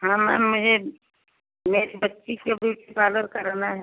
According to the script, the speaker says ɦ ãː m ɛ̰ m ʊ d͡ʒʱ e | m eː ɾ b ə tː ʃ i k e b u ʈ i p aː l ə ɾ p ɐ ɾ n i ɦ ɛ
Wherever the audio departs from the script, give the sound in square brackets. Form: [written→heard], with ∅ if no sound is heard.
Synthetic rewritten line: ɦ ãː m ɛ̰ m ʊ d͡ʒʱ e | m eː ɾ b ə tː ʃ i k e b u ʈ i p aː l ə ɾ [p→k] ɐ ɾ n [i→a] ɦ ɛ

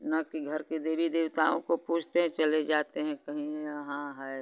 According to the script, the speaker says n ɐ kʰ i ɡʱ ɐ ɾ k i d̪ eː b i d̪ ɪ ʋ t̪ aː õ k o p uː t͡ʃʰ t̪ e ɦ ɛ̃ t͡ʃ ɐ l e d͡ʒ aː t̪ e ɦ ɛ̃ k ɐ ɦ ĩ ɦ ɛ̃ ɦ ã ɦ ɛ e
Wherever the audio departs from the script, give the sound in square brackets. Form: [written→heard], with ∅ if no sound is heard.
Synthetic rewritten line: n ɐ [kʰ→k] i ɡʱ ɐ ɾ k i d̪ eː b i d̪ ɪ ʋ t̪ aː õ k o p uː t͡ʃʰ t̪ e ɦ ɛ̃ t͡ʃ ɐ l e d͡ʒ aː t̪ e ɦ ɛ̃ k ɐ ɦ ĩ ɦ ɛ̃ ɦ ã ɦ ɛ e

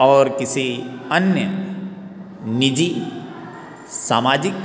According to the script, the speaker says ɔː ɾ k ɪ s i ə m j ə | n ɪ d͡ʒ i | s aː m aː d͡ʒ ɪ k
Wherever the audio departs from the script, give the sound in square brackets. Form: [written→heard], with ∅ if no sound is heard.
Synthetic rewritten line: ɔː ɾ k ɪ s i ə [m→n] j ə | n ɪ d͡ʒ i | s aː m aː d͡ʒ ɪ k

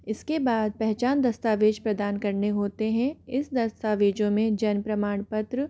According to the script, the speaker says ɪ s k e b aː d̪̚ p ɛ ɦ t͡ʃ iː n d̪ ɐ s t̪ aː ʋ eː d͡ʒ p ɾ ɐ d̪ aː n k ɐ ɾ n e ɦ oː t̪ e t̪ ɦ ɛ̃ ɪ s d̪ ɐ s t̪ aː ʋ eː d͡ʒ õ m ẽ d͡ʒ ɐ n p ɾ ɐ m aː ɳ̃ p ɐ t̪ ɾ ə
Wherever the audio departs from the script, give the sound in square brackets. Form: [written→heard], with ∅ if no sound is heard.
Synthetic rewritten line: ɪ s k e b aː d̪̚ p ɛ ɦ t͡ʃ [iː→aː] n d̪ ɐ s t̪ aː ʋ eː d͡ʒ p ɾ ɐ d̪ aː n k ɐ ɾ n e ɦ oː t̪ e [t̪→∅] ɦ ɛ̃ ɪ s d̪ ɐ s t̪ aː ʋ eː d͡ʒ õ m ẽ d͡ʒ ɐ n p ɾ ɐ m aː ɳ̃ p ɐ t̪ ɾ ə

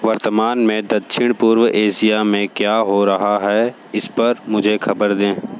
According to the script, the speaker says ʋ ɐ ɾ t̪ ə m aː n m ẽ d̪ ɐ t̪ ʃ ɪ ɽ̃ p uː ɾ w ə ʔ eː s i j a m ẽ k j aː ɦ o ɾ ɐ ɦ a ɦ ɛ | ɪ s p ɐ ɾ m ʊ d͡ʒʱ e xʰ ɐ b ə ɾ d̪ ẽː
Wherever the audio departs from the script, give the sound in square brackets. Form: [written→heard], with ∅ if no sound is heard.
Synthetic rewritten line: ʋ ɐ ɾ t̪ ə m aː n m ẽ d̪ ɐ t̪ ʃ ɪ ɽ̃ p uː ɾ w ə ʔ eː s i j a m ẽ k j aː ɦ o ɾ ɐ ɦ a ɦ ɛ | ɪ s p ɐ ɾ m ʊ d͡ʒʱ e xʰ ɐ b ə ɾ d̪ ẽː

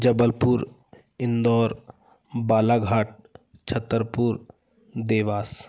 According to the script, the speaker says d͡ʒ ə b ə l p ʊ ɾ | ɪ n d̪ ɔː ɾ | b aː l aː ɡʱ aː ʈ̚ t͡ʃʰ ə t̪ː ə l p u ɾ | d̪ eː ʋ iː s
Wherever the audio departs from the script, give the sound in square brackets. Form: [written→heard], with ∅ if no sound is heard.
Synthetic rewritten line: d͡ʒ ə b ə l p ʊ ɾ | ɪ n d̪ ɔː ɾ | b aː l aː ɡʱ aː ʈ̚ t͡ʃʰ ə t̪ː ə [l→ɾ] p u ɾ | d̪ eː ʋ [iː→aː] s

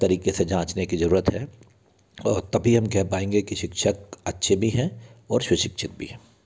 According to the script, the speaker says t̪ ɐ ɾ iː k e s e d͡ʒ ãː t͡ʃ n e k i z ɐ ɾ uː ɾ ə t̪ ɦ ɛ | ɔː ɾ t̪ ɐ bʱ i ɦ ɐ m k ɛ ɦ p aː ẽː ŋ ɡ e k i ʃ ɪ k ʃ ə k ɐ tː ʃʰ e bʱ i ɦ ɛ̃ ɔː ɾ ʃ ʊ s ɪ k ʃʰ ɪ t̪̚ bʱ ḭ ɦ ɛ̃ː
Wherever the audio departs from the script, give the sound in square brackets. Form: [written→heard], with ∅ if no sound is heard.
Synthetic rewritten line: t̪ ɐ ɾ iː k e s e d͡ʒ ãː t͡ʃ n e k i z ɐ ɾ uː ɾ ə t̪ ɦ ɛ | ɔː ɾ t̪ ɐ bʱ i ɦ ɐ m k ɛ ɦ p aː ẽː ŋ ɡ e k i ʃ ɪ k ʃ ə k ɐ tː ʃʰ e bʱ i ɦ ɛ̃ ɔː ɾ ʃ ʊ [s→ʃ] ɪ k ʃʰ ɪ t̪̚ bʱ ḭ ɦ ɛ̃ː

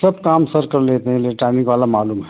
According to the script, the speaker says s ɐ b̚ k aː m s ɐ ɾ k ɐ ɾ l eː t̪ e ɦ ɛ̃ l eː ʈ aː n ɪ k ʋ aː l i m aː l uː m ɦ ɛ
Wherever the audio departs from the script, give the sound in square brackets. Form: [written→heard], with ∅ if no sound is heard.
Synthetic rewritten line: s ɐ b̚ k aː m s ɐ ɾ k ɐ ɾ l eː t̪ e ɦ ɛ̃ l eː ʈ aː n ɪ k ʋ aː l [i→a] m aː l uː m ɦ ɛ

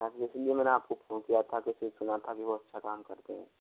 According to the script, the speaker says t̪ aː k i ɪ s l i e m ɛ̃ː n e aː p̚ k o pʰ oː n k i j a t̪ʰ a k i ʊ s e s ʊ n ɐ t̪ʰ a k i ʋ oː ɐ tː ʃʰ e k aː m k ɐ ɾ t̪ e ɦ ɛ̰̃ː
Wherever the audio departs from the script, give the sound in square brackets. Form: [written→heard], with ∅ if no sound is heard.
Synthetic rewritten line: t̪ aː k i ɪ s l i e m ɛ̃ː n e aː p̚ k o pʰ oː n k i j a t̪ʰ a k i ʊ s e s ʊ n [ɐ→a] t̪ʰ a k i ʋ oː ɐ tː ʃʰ [e→a] k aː m k ɐ ɾ t̪ e ɦ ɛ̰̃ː

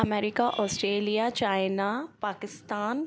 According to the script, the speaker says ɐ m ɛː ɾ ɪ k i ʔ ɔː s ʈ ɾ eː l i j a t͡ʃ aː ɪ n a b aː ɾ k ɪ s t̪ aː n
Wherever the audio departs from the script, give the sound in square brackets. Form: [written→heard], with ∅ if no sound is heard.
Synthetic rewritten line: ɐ m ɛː ɾ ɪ k [i→a] ʔ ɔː s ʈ ɾ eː l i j a t͡ʃ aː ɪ n a [b→p] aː [ɾ→∅] k ɪ s t̪ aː n

